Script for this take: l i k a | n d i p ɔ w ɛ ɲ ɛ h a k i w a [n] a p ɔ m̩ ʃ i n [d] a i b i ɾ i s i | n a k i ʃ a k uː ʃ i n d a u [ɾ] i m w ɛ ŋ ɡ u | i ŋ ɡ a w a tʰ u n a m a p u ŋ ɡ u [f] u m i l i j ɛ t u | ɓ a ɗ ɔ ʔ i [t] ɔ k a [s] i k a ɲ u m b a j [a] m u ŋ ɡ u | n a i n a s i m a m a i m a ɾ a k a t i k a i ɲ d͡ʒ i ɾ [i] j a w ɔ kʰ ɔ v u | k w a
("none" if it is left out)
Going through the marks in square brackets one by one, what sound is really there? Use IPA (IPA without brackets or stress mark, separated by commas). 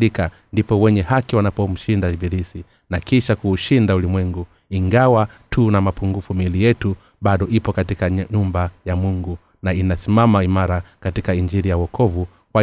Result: n, d, l, f, p, t, a, i